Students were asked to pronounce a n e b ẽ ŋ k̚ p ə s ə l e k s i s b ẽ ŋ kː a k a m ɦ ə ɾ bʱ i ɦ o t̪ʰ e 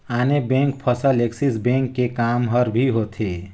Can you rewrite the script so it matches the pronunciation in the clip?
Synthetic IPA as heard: a n e b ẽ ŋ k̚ pʰ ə s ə l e k s i s b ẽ ŋ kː e k a m ɦ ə ɾ bʱ i ɦ o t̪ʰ e